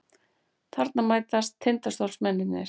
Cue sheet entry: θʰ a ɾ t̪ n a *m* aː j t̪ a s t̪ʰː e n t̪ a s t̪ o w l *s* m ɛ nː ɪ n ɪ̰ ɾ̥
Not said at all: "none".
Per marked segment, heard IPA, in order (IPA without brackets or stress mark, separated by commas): m, s